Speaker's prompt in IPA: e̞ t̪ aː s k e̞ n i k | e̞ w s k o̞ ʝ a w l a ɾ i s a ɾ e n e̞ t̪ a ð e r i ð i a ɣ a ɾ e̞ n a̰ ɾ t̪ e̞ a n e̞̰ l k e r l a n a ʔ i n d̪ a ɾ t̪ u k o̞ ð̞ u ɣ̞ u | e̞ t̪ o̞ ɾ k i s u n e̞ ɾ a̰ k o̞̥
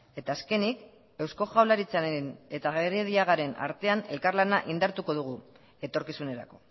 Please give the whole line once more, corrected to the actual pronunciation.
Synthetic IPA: e̞ t̪ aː s k e̞ n i k | e̞ w s k o̞ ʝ a w l a ɾ i t͡s a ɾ e n e̞ t̪ a ɣ e r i ð i a ɣ a ɾ e̞ n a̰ ɾ t̪ e̞ a n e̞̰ l k a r l a n a ʔ i n d̪ a ɾ t̪ u k o̞ ð̞ u ɣ̞ u | e̞ t̪ o̞ ɾ k i s u n e̞ ɾ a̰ k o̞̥